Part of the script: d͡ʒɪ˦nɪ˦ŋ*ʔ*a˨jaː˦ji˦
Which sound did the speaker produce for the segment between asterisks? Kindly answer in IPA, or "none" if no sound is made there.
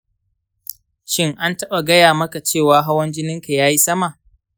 k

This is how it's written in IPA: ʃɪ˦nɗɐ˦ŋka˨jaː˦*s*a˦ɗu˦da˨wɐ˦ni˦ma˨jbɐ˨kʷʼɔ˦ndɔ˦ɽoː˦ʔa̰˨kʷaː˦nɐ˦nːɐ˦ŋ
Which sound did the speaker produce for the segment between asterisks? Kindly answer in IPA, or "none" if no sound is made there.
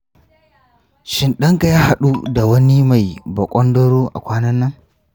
h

